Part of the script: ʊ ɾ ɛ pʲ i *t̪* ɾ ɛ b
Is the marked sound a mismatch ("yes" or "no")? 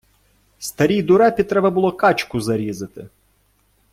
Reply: no